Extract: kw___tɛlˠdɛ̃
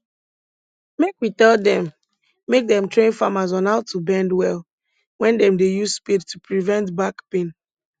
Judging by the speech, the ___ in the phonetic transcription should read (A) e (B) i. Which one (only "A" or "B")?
B